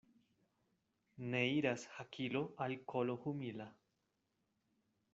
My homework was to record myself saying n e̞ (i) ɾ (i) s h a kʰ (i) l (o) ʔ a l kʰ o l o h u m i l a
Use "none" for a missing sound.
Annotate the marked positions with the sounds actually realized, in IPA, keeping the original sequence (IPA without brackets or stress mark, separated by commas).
i, a, i, o